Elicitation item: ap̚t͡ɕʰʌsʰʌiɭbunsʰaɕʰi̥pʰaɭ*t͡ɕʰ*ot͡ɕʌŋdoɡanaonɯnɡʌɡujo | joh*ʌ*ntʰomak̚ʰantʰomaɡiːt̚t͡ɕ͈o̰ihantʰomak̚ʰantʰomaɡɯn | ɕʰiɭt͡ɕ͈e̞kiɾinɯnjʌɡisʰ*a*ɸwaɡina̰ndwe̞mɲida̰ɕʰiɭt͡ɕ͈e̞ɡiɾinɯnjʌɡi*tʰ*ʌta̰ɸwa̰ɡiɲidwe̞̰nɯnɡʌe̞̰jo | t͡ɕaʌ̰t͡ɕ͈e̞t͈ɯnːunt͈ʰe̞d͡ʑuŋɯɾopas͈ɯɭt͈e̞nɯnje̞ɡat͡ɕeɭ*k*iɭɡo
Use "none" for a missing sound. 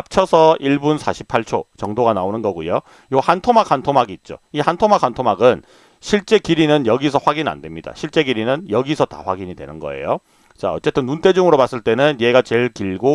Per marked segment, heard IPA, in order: t͡ɕʰ, a, ʌ, sʰ, k

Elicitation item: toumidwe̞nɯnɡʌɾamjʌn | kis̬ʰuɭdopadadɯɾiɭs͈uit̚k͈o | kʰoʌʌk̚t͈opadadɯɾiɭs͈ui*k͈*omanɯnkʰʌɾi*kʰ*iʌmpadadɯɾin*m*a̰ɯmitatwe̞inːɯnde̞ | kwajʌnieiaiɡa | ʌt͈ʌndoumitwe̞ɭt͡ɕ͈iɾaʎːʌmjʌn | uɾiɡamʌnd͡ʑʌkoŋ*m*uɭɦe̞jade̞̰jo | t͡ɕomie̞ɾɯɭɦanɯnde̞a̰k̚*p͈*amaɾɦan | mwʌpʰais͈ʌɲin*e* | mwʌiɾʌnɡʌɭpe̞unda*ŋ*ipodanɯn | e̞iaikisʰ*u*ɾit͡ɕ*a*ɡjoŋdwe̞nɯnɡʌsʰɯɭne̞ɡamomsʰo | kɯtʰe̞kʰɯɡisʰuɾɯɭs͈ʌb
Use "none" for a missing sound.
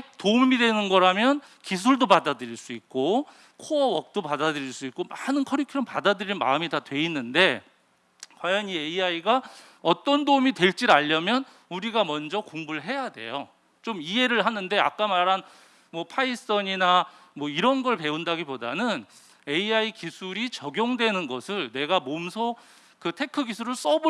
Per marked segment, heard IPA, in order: k͈, kʰ, m, b, k͈, a, ɡ, u, ʌ

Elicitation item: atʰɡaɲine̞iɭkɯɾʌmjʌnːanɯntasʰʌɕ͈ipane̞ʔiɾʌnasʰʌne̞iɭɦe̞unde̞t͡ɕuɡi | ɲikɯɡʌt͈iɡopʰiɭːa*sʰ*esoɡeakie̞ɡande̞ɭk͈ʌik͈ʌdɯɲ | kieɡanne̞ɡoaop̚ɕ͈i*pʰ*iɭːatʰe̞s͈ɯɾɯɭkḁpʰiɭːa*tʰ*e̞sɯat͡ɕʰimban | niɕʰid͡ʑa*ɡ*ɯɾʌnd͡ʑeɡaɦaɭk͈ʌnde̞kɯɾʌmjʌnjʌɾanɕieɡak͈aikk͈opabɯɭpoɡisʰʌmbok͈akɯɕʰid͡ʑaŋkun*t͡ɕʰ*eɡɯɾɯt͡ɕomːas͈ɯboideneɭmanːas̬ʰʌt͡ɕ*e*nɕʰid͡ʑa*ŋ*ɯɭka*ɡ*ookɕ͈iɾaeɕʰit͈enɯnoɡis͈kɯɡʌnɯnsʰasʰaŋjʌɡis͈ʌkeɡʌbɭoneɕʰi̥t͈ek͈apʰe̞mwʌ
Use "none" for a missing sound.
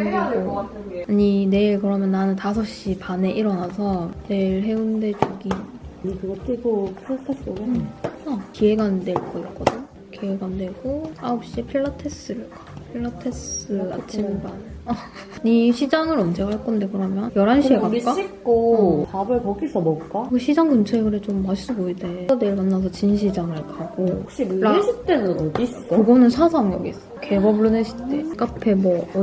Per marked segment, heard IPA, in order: tʰ, pʰ, tʰ, ŋ, t͡ɕʰ, i, ŋ, ɡ

